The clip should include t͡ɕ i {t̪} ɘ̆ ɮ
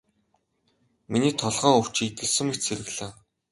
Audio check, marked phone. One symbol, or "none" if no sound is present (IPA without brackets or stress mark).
t̪